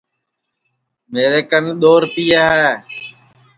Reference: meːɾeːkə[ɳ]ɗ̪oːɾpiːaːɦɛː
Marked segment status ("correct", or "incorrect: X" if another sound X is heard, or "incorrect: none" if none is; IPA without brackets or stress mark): incorrect: n